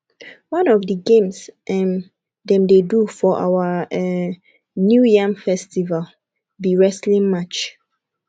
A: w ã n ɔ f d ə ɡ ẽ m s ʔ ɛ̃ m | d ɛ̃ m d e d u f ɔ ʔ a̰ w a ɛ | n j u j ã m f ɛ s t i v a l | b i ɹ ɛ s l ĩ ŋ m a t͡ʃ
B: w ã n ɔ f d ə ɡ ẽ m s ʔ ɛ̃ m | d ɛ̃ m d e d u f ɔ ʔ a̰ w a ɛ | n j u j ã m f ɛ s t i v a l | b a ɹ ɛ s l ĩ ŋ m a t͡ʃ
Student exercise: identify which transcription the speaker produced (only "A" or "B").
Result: A